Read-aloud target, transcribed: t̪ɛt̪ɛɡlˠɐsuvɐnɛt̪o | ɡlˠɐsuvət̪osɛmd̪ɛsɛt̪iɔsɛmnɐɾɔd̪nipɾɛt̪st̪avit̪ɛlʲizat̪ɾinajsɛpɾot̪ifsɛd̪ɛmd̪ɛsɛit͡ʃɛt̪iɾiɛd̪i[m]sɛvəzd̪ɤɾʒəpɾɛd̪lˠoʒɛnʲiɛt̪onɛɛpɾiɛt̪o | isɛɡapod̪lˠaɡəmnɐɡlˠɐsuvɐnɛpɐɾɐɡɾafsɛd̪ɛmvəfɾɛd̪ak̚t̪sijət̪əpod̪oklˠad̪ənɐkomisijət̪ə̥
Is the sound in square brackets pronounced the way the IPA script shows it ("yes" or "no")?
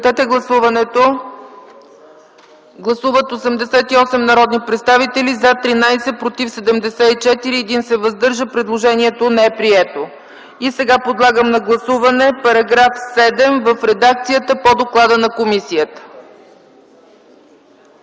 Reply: no